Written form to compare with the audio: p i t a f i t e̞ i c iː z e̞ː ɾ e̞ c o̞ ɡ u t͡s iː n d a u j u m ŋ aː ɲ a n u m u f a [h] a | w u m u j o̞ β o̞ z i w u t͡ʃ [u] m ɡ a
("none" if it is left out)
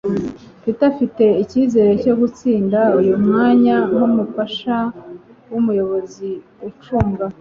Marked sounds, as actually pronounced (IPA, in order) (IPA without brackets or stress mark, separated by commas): ʃ, uː